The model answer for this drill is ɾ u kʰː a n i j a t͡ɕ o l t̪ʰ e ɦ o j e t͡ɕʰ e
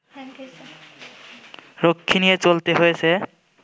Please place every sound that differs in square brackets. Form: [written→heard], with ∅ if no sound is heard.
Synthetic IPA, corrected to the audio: ɾ [u→o] kʰː [a→i] n i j [a→e] t͡ɕ o l [t̪ʰ→t̪] e ɦ o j e t͡ɕʰ e